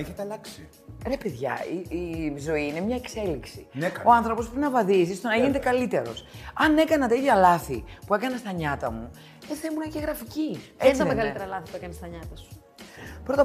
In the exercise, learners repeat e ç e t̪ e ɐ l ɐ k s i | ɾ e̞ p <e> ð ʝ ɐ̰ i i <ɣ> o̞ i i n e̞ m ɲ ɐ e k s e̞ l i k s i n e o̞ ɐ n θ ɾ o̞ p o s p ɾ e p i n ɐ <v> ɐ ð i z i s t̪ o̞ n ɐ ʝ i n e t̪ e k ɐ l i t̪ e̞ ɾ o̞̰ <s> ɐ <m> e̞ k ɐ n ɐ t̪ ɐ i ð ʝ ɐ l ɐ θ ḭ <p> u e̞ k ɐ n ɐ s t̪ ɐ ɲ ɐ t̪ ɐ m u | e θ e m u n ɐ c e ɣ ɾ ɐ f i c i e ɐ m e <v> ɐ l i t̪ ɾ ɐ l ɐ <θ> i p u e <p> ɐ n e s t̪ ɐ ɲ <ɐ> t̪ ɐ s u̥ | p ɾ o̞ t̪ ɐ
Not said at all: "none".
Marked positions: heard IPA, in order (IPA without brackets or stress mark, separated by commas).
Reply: e, z, v, s, n, p, ɣ, θ, k, ɐ